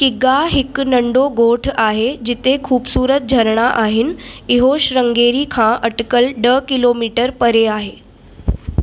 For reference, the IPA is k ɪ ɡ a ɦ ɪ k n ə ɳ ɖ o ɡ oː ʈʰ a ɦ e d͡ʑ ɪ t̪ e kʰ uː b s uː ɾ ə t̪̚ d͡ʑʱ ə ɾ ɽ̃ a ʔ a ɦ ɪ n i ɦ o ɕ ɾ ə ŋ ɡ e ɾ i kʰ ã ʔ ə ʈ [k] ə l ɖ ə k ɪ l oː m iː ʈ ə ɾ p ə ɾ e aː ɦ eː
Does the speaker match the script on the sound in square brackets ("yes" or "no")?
yes